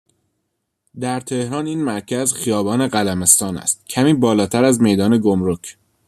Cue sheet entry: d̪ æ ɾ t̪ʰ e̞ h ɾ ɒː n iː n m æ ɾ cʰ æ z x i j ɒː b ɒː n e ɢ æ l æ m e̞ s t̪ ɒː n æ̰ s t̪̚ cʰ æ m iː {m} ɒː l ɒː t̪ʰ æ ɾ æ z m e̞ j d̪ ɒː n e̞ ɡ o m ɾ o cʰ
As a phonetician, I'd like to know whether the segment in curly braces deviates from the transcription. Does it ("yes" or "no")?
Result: yes